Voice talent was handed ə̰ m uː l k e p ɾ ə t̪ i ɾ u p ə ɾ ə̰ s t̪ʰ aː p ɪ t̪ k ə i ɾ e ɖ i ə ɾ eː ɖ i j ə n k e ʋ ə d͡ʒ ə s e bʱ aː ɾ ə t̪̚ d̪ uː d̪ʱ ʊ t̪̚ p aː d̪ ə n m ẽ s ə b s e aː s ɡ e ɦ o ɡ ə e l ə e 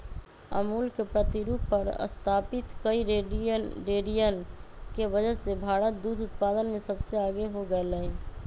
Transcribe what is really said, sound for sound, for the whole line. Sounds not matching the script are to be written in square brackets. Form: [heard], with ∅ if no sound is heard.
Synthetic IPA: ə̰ m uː l k e p ɾ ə t̪ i ɾ u p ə ɾ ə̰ s t̪ʰ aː p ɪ t̪ k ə i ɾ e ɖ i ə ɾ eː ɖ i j ə n k e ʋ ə d͡ʒ ə s e bʱ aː ɾ ə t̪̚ d̪ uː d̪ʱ ʊ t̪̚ p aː d̪ ə n m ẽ s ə b s e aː [∅] ɡ e ɦ o ɡ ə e l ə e

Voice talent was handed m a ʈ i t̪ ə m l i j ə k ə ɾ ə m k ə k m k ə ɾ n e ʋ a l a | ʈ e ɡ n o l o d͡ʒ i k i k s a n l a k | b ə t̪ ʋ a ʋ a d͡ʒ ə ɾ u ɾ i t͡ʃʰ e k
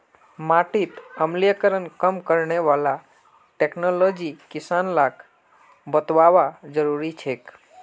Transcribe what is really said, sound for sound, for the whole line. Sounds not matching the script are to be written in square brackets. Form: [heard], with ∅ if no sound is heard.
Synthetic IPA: m a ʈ i t̪ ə m l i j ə k ə ɾ ə [n] k ə [∅] m k ə ɾ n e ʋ a l a | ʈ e [k] n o l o d͡ʒ i k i [∅] s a n l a k | b ə t̪ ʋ a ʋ a d͡ʒ ə ɾ u ɾ i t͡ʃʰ e k

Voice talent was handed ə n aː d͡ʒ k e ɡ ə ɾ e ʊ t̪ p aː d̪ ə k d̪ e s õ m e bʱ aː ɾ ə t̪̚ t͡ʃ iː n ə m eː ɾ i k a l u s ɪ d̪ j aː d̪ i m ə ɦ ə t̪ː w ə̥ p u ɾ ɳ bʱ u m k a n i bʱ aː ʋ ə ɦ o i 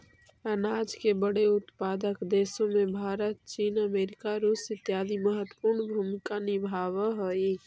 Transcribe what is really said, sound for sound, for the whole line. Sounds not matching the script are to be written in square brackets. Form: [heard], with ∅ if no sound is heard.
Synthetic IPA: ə n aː d͡ʒ k e [b] ə [ɽ] e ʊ t̪ p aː d̪ ə k d̪ e s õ m e bʱ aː ɾ ə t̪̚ t͡ʃ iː n ə m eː ɾ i k a [ɾ] u s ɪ [t̪] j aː d̪ i m ə ɦ ə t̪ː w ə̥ p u ɾ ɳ bʱ u m k a n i bʱ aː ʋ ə ɦ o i

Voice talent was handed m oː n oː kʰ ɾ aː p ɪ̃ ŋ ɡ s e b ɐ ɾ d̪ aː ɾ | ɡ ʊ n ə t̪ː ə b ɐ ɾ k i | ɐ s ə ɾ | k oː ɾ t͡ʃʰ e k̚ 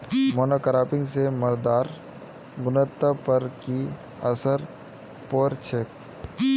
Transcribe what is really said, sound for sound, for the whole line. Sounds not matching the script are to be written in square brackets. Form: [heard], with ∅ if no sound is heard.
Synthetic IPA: m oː n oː [k] ɾ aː p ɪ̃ ŋ ɡ s e [m] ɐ ɾ d̪ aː ɾ | ɡ ʊ n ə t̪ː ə [p] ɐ ɾ k i | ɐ s ə ɾ | [p] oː ɾ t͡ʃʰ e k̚

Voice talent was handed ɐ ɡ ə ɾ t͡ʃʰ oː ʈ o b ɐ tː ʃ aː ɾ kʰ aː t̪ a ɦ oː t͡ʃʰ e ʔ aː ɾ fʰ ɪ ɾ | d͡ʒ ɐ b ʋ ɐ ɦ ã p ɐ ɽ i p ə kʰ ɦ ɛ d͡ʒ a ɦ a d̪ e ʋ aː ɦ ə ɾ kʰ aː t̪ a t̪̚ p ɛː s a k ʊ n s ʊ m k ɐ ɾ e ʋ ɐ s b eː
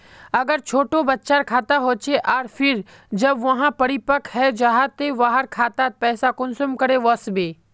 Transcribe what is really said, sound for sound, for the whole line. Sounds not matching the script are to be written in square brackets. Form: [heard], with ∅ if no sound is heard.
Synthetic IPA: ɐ ɡ ə ɾ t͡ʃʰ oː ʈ o b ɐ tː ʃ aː ɾ kʰ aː t̪ a ɦ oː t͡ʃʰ e ʔ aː ɾ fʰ ɪ ɾ | d͡ʒ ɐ b ʋ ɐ ɦ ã p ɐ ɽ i p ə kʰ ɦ ɛ d͡ʒ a ɦ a [t̪] e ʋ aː ɦ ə ɾ kʰ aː t̪ a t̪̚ p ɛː s a k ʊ n s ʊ m k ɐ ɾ e ʋ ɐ s b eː

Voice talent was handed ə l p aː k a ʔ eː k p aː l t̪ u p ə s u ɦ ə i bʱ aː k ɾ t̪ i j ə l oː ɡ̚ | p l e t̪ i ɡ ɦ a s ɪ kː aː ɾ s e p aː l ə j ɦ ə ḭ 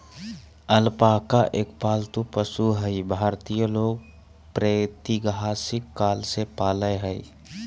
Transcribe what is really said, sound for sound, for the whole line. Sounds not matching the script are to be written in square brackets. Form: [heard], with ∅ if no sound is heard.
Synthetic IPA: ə l p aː k a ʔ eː k p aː l t̪ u p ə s u ɦ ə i bʱ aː [∅] ɾ t̪ i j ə l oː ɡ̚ | p [ɾ] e t̪ i ɡ ɦ a s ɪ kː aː [l] s e p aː l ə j ɦ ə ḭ

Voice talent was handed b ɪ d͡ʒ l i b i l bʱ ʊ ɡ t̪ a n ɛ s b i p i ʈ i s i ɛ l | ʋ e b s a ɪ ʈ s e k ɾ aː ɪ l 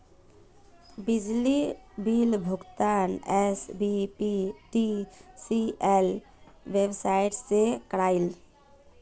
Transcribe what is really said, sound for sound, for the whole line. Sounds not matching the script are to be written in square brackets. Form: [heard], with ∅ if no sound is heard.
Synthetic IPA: b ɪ d͡ʒ l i b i l bʱ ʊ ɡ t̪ a n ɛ s b i p i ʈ i s i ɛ l | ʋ e b s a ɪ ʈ s e k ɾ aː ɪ l

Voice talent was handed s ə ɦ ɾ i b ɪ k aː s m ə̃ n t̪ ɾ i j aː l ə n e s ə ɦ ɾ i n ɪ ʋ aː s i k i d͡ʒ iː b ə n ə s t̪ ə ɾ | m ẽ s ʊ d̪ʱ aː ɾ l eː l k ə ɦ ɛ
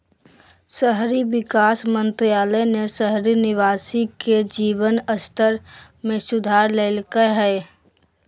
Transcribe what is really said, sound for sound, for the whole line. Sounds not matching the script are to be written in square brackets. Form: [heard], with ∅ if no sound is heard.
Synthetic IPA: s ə ɦ ɾ i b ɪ k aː s m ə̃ n t̪ ɾ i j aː l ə n e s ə ɦ ɾ i n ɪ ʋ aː s i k [e] d͡ʒ iː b ə n ə s t̪ ə ɾ | m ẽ s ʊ d̪ʱ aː ɾ l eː l k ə ɦ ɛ

